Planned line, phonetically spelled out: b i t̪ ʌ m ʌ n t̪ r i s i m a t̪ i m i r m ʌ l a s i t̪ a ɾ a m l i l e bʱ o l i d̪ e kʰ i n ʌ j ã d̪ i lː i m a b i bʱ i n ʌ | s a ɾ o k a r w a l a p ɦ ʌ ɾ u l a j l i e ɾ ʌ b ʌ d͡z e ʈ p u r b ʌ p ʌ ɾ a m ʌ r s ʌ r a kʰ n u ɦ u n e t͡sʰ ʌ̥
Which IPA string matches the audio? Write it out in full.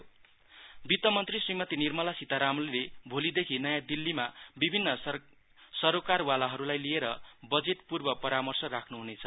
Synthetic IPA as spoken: b i t̪ ʌ m ʌ n t̪ r i s i m ʌ t̪ i n i r m ʌ l a s i t̪ a ɾ a m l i l e bʱ o l i d̪ e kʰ i n ʌ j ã d̪ i lː i m a b i bʱ i nː ʌ | s ʌ ɾ o k a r w a l a ɦ ʌ ɾ u l a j l i e ɾ ʌ b ʌ d͡z e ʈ p u r b ʌ p ʌ ɾ a m ʌ r s ʌ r a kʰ n u ɦ u n e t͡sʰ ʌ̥